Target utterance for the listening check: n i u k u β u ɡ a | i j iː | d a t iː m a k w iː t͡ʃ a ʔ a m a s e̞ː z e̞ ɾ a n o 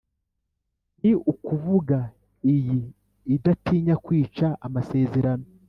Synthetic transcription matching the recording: n i u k u v u ɡ a | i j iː | d a t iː ɲ a k w iː t͡ʃ a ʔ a m a s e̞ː z e̞ ɾ a n o